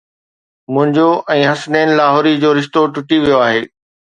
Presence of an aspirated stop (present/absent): absent